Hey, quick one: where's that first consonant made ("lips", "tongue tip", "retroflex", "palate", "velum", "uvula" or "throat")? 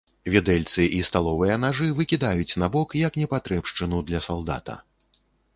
lips